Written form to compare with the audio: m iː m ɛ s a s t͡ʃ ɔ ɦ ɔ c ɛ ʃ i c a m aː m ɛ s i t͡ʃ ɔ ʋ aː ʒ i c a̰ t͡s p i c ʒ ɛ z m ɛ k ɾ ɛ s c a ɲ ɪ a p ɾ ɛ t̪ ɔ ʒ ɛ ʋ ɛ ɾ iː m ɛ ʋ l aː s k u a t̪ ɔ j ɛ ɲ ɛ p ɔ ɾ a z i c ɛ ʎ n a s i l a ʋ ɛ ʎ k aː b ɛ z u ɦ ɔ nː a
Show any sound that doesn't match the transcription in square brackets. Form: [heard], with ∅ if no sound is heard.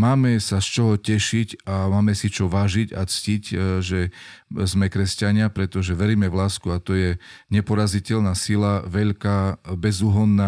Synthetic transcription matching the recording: m [aː] m ɛ s a s t͡ʃ ɔ ɦ ɔ c ɛ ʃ i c a m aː m ɛ s i t͡ʃ ɔ ʋ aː ʒ i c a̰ t͡s [c] i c ʒ ɛ z m ɛ k ɾ ɛ s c a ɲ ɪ a p ɾ ɛ t̪ ɔ ʒ ɛ ʋ ɛ ɾ iː m ɛ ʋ l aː s k u a t̪ ɔ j ɛ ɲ ɛ p ɔ ɾ a z i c ɛ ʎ n a s i l a ʋ ɛ ʎ k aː b ɛ z u ɦ ɔ nː a